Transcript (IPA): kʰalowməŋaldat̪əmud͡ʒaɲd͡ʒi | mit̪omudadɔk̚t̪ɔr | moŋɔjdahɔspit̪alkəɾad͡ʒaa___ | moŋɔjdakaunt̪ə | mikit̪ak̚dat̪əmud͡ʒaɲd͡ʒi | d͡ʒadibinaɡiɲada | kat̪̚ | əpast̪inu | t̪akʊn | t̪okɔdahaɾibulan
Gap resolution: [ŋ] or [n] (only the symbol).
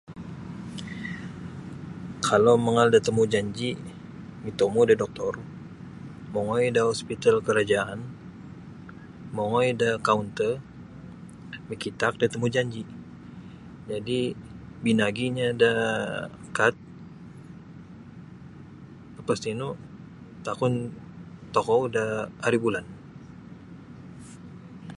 n